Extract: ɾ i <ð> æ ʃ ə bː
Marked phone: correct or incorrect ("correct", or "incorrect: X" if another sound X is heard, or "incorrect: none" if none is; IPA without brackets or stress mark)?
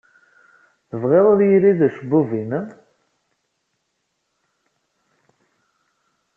correct